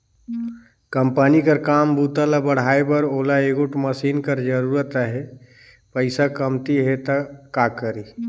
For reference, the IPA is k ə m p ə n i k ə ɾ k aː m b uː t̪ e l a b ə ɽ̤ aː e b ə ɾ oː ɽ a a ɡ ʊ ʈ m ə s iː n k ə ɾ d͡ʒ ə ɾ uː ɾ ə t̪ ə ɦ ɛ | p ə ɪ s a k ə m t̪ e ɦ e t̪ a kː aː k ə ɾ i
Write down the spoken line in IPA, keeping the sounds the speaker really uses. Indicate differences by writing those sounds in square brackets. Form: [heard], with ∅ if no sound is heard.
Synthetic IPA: k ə m p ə n i k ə ɾ k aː m b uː t̪ [a] l a b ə ɽ̤ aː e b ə ɾ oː [l] a [e] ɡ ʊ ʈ m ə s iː n k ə ɾ d͡ʒ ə ɾ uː ɾ ə t̪ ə ɦ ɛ | p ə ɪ s a k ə m t̪ [i] ɦ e t̪ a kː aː k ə ɾ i

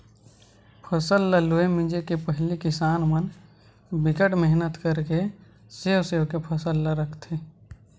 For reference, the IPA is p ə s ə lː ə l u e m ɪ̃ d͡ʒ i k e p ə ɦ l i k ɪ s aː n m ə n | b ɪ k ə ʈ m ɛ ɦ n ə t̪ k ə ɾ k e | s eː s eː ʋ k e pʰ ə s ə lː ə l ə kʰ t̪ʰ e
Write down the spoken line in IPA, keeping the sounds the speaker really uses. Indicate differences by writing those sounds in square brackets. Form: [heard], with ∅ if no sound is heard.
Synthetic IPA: [pʰ] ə s ə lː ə l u e m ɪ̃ d͡ʒ [e] k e p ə ɦ l i k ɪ s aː n m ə n | b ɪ k ə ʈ m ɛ ɦ n ə t̪ k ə ɾ k e | s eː s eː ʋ k e pʰ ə s ə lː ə [ɾ] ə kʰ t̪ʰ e

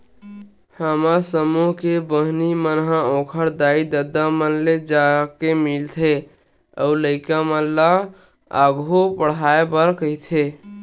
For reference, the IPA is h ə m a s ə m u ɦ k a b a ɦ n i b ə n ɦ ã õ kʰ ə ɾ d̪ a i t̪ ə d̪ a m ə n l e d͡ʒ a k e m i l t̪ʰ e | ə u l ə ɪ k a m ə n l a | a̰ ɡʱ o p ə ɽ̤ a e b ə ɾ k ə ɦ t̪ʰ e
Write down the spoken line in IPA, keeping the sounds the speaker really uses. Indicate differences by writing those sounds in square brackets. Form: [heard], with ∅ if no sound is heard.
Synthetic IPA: h ə m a s ə m u ɦ k [e] b [ə] ɦ n i [m] ə n ɦ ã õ kʰ ə ɾ d̪ a i [d̪] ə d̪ a m ə n l e d͡ʒ a k e m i l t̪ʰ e | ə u l ə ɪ k a m ə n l a | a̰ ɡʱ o p ə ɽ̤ a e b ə ɾ k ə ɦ t̪ʰ e

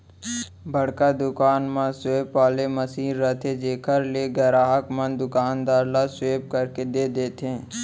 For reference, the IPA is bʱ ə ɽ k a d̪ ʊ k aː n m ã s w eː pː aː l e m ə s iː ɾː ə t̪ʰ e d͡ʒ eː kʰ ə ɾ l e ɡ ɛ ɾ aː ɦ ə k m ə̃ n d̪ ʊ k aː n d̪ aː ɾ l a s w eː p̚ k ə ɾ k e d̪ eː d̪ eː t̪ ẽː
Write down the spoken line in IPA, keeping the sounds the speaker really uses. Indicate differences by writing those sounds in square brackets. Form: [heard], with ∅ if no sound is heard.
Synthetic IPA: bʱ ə ɽ k a d̪ ʊ k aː n m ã s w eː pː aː l e m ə s iː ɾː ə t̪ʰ e d͡ʒ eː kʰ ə ɾ l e ɡ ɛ ɾ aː ɦ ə k m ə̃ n d̪ ʊ k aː n d̪ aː ɾ l a s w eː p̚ k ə ɾ k e d̪ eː d̪ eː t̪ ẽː

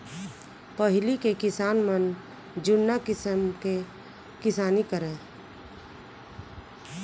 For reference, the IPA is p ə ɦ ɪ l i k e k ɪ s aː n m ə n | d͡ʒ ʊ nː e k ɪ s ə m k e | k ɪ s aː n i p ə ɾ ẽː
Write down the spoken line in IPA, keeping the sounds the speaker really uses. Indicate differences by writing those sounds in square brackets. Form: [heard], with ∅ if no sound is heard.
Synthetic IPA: p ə ɦ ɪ l i k e k ɪ s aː n m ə n | d͡ʒ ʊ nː [a] k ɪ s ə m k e | k ɪ s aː n i [k] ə ɾ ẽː

